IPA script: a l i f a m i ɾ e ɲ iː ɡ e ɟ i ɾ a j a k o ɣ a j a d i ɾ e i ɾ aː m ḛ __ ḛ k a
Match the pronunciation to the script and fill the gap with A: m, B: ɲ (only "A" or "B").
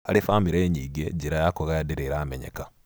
B